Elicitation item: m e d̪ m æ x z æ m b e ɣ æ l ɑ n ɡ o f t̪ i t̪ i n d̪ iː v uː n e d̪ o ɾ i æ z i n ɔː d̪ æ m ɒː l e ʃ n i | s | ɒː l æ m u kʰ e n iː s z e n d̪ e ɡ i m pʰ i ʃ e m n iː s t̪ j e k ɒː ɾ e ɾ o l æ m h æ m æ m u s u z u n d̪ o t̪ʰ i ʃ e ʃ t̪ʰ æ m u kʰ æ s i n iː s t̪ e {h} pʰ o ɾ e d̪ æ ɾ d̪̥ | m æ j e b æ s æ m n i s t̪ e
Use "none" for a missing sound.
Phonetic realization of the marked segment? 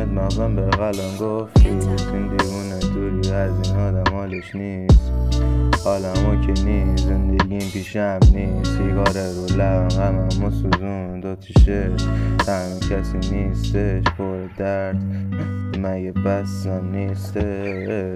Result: ʃ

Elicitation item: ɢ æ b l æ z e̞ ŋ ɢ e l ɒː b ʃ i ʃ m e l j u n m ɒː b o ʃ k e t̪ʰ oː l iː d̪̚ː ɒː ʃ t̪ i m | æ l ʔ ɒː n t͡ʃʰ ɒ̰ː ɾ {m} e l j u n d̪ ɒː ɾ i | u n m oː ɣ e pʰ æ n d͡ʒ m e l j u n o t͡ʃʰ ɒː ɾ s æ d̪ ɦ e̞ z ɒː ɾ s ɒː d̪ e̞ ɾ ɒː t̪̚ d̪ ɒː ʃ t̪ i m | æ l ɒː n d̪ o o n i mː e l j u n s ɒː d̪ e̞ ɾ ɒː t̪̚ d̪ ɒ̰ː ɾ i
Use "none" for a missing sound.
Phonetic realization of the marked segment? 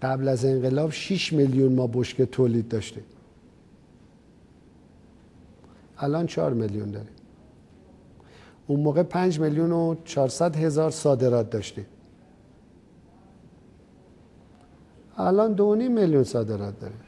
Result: m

